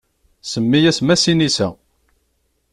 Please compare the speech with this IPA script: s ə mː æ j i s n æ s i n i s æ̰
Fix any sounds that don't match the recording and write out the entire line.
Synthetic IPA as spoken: s ə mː i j æ s m æ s i n i s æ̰